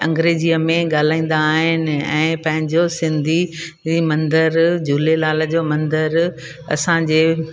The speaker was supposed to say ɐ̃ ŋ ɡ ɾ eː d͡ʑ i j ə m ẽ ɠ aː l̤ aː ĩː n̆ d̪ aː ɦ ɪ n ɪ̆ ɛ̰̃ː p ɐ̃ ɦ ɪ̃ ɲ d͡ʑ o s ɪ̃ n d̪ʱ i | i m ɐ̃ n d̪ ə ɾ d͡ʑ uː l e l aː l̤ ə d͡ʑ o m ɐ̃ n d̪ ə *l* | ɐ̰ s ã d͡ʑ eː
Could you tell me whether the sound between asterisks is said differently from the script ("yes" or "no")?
yes